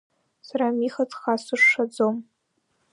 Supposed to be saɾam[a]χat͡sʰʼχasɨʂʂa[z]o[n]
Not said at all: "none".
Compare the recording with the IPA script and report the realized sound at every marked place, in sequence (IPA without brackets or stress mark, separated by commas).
i, d͡z, m